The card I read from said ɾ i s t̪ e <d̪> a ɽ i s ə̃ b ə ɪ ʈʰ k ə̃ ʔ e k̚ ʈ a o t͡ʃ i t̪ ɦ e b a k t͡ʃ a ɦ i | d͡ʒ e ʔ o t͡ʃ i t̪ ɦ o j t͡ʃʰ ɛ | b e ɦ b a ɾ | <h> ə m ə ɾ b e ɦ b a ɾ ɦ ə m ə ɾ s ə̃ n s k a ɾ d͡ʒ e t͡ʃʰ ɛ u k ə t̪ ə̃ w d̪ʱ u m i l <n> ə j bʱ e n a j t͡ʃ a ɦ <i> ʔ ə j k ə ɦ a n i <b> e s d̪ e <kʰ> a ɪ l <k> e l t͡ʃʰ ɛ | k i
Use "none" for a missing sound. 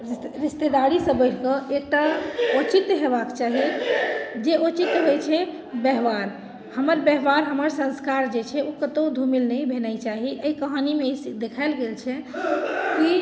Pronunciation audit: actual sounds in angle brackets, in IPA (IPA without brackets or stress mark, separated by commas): d̪, h, n, i, m, kʰ, ɡ